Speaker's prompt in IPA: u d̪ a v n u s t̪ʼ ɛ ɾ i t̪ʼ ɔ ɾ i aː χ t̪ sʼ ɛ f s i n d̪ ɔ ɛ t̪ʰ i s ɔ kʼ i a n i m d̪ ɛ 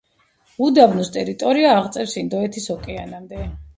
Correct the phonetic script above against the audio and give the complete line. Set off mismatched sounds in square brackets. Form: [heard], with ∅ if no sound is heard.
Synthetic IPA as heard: u d̪ a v n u s t̪ʼ ɛ ɾ i t̪ʼ ɔ ɾ i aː [ʁ] t̪ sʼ ɛ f s i n d̪ ɔ ɛ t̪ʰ i s ɔ kʼ [ɛ] a n [a] m d̪ ɛ